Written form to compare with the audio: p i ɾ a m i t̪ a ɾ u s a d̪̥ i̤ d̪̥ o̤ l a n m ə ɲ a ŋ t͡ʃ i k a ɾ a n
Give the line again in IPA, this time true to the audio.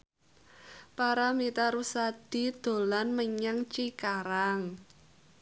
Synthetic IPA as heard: p a ɾ a m i t̪ a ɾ u s a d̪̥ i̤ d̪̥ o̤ l a n m ə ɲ a ŋ t͡ʃ i k a ɾ a ŋ

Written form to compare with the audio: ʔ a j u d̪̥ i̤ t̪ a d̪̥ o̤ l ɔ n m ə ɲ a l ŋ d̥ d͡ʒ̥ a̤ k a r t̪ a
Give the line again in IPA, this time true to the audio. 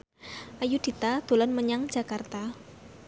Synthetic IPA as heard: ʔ a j u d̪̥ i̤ t̪ a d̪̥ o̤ l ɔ n m ə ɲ a ŋ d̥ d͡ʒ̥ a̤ k a r t̪ a

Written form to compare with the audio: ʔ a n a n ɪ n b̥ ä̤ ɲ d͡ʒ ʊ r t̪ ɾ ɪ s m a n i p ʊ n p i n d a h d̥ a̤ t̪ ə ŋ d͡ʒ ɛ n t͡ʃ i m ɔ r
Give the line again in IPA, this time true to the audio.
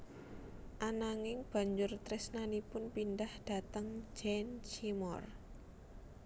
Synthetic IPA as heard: ʔ a n a ŋ ɪ ŋ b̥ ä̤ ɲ d͡ʒ ʊ r t̪ ɾ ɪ s n a n i p ʊ n p i n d a h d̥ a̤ t̪ ə ŋ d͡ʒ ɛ n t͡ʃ i m ɔ r

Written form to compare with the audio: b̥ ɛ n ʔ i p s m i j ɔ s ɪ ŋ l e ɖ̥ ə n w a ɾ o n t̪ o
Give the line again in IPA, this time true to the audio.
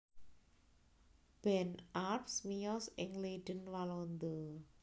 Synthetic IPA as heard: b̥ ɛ n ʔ a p s m i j ɔ s ɪ ŋ l e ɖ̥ ə n w a l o n d̪ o

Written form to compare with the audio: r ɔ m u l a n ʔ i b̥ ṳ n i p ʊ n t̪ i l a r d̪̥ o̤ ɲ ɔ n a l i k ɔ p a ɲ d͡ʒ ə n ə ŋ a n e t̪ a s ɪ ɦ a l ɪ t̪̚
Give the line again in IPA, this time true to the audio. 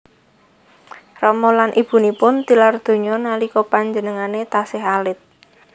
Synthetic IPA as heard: r ɔ m ɔ l a n ʔ i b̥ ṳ n i p ʊ n t̪ i l a r d̪̥ o̤ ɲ ɔ n a l i k ɔ p a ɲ d͡ʒ ə n ə ŋ a n e t̪ a s ɪ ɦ a l ɪ t̪̚

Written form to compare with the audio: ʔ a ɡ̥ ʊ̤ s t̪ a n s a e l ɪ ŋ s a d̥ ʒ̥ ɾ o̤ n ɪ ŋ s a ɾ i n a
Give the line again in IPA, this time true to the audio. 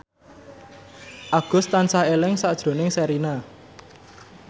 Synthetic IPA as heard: ʔ a ɡ̥ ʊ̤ s t̪ a n s a e l ɪ ŋ s a d̥ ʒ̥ ɾ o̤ n ɪ ŋ s ɛ ɾ i n a

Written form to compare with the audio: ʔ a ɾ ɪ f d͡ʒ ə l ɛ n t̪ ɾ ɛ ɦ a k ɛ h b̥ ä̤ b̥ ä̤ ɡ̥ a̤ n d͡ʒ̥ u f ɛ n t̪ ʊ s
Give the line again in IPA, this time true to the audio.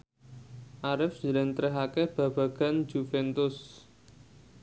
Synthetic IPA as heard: ʔ a ɾ ɪ f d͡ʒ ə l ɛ n t̪ ɾ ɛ ɦ a k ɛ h b̥ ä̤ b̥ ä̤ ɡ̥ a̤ n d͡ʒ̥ u f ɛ n t̪ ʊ s

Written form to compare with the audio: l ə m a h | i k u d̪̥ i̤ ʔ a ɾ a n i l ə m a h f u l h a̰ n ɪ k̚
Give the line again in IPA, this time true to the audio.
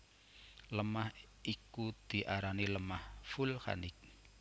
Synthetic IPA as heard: l ə m a h | i k u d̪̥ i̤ ʔ a ɾ a n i l ə m a h f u l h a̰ n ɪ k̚

